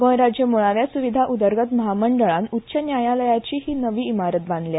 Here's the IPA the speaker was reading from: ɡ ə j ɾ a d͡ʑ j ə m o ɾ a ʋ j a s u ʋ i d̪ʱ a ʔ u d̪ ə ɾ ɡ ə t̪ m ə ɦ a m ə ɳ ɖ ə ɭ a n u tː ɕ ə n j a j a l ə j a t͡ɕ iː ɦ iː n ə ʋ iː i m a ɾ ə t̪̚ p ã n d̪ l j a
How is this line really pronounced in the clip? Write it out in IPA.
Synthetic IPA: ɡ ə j ɾ a d͡ʑ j ə m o ɭ a ʋ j a s u ʋ i d̪ʱ a ʔ u d̪ ə ɾ ɡ ə t̪ m ə ɦ a m ə ɳ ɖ ə ɭ a n u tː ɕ ə n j a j a l ə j a t͡ɕ iː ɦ iː n ə ʋ iː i m a ɾ ə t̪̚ b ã n d̪ l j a